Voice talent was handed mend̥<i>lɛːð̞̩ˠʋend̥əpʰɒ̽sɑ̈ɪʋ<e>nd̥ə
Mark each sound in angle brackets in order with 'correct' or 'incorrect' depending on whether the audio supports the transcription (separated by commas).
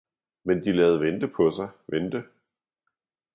correct, correct